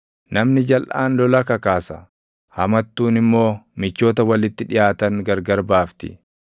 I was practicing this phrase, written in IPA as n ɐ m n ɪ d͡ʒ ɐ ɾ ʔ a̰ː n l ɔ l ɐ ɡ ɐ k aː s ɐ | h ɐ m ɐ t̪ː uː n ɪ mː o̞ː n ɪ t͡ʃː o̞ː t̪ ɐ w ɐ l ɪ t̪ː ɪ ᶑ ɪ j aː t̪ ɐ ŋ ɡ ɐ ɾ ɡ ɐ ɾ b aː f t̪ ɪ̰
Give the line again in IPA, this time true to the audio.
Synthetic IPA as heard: n ɐ m n ɪ d͡ʒ ɐ l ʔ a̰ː n l ɔ l ɐ k ɐ k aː s ɐ | h ɐ m ɐ t̪ː uː n ɪ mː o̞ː m ɪ t͡ʃː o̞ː t̪ ɐ w ɐ l ɪ t̪ː ɪ ᶑ ɪ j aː t̪ ɐ ŋ ɡ ɐ ɾ ɡ ɐ ɾ b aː f t̪ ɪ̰